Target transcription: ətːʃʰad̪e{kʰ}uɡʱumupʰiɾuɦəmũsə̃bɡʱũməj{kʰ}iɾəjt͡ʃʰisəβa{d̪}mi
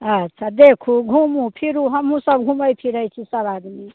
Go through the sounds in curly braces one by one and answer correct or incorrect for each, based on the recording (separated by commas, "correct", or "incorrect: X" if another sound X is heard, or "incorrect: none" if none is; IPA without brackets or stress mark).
correct, incorrect: pʰ, correct